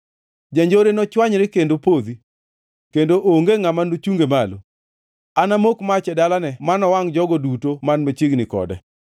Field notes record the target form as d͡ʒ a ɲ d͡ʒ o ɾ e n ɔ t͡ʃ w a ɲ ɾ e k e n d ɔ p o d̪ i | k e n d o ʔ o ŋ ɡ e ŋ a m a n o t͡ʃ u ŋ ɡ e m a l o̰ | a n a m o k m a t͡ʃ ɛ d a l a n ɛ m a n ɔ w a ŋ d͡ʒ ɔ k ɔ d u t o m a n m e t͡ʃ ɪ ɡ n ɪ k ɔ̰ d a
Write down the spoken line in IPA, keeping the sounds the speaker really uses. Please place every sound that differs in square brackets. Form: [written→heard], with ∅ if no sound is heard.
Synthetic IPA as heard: d͡ʒ a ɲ d͡ʒ o ɾ e n ɔ t͡ʃ w a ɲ ɾ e k e n d [ɔ→o] p o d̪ i | k e n d o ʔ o ŋ ɡ e ŋ a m a n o t͡ʃ u ŋ ɡ e m a l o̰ | a n a m o k m a t͡ʃ ɛ d a l a n ɛ m a n ɔ w a ŋ d͡ʒ ɔ [k→ɡ] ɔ d u t o m a n m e t͡ʃ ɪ ɡ n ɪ k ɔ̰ d [a→ɛ]